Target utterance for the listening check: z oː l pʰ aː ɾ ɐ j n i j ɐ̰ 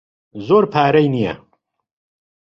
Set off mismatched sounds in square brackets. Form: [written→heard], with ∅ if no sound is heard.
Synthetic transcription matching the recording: z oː [l→ɾ] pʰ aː ɾ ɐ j n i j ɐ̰